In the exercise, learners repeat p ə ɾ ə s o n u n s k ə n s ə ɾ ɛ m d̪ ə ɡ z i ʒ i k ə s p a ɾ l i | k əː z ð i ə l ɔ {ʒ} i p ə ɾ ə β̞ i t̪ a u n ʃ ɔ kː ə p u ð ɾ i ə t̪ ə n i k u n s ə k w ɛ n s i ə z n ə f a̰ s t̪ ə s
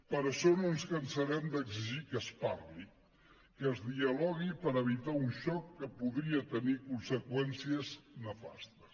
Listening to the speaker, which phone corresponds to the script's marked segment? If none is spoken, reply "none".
ɣ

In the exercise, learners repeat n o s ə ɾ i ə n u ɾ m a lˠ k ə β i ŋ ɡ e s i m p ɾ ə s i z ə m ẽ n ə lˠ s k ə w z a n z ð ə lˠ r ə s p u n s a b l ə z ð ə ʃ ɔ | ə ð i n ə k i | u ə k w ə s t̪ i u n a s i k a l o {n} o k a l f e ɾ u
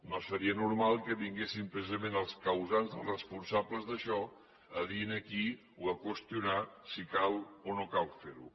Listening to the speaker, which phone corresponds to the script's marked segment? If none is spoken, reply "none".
n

